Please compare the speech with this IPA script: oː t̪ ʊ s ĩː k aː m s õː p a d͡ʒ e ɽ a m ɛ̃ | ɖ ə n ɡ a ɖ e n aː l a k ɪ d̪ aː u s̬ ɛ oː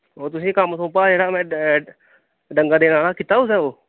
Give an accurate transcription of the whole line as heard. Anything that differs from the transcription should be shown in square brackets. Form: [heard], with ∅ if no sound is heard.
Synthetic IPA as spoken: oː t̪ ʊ s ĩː k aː m s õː p a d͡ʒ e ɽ a m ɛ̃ | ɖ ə [ŋ] ɡ a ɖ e n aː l a k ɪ [t̪] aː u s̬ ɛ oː